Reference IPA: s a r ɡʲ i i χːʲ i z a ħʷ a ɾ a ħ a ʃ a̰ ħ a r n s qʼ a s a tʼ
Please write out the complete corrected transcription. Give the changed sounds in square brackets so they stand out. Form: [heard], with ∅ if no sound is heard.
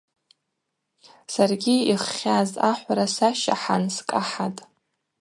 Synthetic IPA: s a r ɡʲ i i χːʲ [a] z a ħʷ a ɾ a [s] a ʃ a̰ ħ a [∅] n s [kʼ] a [ħ] a tʼ